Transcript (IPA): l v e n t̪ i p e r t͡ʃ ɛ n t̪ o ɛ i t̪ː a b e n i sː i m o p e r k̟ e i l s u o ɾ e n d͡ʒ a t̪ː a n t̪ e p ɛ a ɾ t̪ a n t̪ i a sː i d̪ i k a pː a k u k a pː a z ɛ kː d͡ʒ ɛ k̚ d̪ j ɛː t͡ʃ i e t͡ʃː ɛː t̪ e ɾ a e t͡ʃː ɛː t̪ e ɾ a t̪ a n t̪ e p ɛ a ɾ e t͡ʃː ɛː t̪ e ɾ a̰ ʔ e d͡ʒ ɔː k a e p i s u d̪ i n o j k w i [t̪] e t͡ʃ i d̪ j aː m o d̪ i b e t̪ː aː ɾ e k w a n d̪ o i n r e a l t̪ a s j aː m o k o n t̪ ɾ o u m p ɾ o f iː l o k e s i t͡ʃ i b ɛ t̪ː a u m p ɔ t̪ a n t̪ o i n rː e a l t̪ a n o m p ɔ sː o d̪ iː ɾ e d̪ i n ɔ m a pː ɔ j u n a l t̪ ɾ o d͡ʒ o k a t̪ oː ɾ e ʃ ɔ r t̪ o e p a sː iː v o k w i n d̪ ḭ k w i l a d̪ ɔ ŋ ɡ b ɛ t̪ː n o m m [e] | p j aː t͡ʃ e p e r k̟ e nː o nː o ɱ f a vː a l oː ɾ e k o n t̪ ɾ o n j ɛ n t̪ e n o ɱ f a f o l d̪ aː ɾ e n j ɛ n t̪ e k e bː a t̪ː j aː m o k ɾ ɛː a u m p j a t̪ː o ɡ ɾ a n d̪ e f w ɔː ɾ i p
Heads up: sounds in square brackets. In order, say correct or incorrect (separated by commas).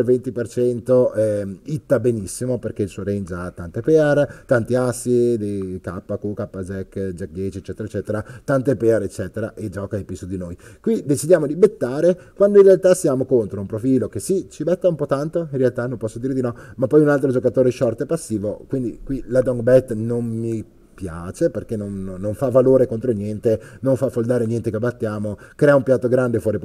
incorrect, incorrect